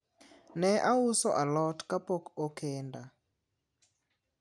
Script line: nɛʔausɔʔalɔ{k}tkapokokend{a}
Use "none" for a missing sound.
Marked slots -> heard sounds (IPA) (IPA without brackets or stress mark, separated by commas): none, a